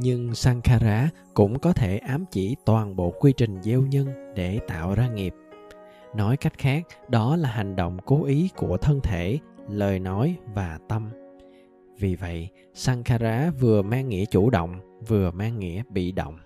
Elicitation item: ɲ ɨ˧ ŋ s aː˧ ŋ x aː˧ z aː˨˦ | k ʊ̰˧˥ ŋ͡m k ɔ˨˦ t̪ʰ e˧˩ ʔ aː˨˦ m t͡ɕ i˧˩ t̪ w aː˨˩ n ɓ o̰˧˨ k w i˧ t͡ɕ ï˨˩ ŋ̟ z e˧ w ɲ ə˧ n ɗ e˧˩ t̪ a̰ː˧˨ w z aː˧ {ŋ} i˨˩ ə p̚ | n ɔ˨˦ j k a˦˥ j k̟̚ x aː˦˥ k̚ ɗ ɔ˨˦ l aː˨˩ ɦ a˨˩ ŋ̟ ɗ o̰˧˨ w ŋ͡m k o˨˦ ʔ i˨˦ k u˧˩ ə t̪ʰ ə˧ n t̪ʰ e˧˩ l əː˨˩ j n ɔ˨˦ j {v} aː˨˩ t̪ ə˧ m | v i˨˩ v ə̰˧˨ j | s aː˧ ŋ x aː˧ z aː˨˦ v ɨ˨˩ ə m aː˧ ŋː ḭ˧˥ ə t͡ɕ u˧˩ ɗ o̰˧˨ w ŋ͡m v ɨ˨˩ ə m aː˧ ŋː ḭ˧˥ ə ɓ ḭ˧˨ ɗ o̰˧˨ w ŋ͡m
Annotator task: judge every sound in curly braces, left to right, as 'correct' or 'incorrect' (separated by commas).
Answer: correct, correct